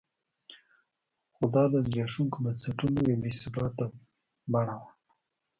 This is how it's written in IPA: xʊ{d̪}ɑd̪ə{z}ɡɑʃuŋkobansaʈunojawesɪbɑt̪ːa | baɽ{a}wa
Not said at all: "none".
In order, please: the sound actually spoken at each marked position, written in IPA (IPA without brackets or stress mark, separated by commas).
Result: d̪, z, a